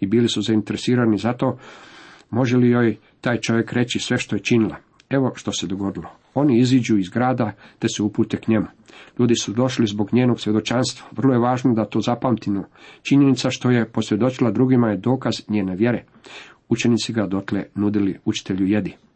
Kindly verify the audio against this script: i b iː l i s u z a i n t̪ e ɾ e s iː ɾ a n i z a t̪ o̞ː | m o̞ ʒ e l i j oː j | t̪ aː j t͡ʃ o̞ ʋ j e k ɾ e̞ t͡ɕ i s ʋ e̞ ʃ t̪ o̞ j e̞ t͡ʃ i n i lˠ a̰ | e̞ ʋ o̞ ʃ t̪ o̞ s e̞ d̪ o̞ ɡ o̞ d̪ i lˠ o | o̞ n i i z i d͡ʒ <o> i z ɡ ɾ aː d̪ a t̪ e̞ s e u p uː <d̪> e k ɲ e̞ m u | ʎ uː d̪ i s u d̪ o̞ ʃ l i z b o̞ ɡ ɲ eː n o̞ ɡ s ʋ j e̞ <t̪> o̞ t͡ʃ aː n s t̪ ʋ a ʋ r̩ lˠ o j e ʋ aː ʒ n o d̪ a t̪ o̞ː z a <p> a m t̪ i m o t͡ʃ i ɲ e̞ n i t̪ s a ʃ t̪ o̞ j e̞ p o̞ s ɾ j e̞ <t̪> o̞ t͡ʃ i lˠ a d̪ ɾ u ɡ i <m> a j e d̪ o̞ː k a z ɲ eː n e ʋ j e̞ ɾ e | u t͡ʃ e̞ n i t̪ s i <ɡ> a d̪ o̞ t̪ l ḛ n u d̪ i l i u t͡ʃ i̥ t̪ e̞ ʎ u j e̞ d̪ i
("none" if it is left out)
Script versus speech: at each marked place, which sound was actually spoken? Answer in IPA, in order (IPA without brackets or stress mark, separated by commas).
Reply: u, t̪, d̪, p, d̪, m, ɡ